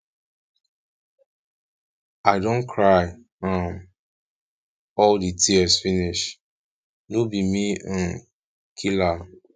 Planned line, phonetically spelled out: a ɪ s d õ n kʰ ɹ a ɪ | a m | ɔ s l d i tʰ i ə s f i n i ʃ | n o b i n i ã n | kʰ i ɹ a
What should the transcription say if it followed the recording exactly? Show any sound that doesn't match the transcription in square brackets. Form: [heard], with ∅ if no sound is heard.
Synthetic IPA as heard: a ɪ [∅] d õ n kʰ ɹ a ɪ | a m | ɔ [∅] l d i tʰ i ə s f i n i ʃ | n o b i [m] i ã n | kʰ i [l] a